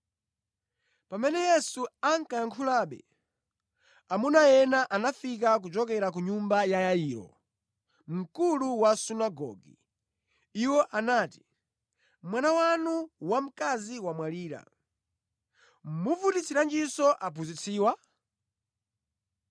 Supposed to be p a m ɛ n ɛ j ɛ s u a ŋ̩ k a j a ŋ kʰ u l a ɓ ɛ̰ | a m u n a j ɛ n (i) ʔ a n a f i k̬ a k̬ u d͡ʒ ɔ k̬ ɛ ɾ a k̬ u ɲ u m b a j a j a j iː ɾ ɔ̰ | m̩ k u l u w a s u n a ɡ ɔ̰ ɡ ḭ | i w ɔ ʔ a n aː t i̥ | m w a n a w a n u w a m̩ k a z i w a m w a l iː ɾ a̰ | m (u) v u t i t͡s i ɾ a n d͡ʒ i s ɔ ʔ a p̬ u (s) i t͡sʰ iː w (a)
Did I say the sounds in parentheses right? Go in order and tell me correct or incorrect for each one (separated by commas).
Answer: incorrect, correct, incorrect, correct